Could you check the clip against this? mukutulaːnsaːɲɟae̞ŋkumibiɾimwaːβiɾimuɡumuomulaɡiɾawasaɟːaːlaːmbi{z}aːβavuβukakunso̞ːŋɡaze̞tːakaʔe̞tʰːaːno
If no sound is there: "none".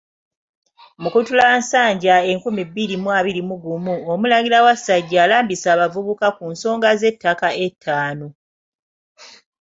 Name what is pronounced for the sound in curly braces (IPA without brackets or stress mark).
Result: s